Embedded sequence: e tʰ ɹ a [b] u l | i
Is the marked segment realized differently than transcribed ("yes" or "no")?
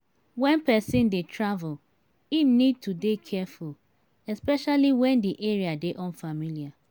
yes